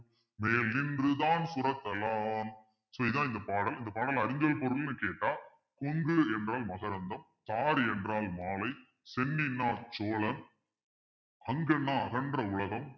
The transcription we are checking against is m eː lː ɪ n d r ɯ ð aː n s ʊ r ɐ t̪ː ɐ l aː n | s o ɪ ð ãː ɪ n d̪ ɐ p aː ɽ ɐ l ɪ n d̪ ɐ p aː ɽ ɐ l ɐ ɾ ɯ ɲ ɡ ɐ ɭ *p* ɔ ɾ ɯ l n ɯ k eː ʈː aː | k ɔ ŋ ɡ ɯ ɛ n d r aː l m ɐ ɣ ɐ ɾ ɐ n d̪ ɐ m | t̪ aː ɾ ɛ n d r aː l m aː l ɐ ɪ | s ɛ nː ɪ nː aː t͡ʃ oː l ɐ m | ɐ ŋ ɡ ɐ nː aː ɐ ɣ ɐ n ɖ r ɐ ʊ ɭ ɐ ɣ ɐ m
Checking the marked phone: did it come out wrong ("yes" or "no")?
no